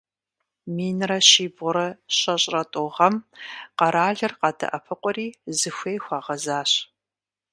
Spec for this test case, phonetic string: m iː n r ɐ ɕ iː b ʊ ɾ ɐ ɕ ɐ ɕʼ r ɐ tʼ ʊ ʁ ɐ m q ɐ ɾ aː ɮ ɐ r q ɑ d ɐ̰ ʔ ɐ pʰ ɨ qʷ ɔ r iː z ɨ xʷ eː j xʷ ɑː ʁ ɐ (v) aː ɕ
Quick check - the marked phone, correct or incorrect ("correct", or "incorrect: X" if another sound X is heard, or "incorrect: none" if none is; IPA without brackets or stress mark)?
incorrect: z